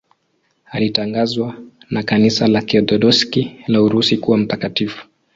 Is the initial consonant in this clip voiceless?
no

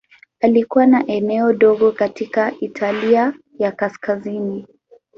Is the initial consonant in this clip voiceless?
no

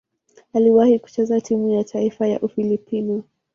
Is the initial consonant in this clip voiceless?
no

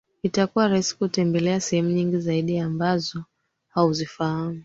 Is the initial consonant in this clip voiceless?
yes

